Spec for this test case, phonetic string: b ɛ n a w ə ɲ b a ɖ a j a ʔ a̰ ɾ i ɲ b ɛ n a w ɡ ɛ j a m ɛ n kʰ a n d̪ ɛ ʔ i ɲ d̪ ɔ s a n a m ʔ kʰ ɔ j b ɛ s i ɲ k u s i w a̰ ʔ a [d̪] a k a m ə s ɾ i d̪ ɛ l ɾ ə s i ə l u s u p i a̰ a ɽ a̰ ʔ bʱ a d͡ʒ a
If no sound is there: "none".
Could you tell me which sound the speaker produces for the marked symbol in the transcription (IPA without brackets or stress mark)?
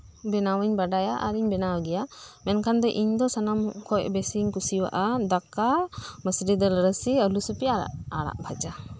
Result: d̪